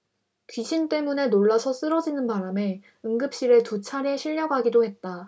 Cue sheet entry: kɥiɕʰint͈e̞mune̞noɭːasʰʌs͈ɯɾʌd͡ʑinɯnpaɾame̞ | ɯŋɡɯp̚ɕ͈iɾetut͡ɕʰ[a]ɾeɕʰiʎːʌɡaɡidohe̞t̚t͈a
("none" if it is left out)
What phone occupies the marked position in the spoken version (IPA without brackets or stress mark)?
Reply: a